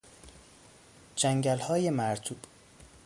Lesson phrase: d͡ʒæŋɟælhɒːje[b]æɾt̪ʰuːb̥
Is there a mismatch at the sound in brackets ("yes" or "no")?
yes